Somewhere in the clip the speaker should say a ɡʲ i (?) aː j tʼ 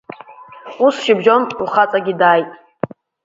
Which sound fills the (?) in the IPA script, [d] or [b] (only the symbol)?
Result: d